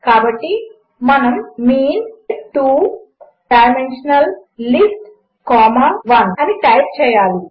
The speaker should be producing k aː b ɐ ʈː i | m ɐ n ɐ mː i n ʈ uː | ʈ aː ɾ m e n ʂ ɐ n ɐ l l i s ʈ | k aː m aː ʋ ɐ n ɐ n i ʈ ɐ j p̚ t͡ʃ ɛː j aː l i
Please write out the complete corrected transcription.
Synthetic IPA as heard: k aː b ɐ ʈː i | m ɐ n ɐ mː iː n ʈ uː | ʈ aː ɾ m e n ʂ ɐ n ɐ l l i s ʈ | k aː m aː ʋ ɐ n ɐ n i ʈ ɐ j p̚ t͡ʃ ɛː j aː l i

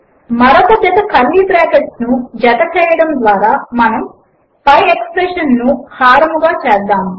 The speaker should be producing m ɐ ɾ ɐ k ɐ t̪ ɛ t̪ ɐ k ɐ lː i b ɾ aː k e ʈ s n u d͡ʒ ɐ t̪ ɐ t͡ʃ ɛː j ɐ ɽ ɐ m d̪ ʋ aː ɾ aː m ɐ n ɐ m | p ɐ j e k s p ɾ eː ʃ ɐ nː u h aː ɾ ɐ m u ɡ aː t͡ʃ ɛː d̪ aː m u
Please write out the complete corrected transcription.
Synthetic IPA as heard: m ɐ ɾ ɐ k ɐ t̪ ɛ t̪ ɐ k ɐ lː i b ɾ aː k e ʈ s n u d͡ʒ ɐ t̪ ɐ t͡ʃ ɛː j ɐ ɽ ɐ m d̪ ʋ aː ɾ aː m ɐ n ɐ m | p ɐ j e k s p ɾ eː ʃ ɐ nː u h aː ɾ ɐ m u ɡ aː t͡ʃ ɛː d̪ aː m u

